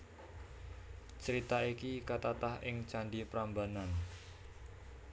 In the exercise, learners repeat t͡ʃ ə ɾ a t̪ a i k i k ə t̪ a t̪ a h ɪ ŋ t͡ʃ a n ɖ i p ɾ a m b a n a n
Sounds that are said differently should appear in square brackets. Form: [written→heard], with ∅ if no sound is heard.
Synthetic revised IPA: t͡ʃ ə ɾ [a→i] t̪ a i k i k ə t̪ a t̪ a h ɪ ŋ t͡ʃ a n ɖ i p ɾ a m b a n a n